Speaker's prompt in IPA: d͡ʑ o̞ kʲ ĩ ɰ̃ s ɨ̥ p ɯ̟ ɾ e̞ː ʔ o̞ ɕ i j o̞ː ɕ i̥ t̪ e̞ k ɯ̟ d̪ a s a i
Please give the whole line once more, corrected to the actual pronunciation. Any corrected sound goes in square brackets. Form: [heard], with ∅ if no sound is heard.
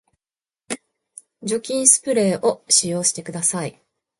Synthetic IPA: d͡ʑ o̞ kʲ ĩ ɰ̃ s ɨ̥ p ɯ̟ ɾ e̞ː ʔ o̞ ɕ i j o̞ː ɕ i̥ t̪ e̞ k ɯ̟ d̪ a s a i